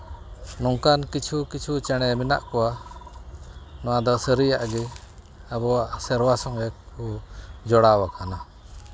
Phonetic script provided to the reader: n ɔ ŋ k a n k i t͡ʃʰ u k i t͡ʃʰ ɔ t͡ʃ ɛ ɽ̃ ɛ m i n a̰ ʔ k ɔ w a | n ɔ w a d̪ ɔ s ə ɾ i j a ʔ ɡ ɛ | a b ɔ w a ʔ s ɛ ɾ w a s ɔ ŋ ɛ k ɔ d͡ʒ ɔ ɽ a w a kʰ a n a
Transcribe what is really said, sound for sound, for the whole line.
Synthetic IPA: n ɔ ŋ k a n k i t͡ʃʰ u k i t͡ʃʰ u t͡ʃ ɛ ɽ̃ ɛ m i n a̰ ʔ k ɔ w a | n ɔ w a d̪ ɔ s ə ɾ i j a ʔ ɡ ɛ | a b ɔ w a ʔ s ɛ ɾ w a s ɔ ŋ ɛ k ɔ d͡ʒ ɔ ɽ a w a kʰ a n a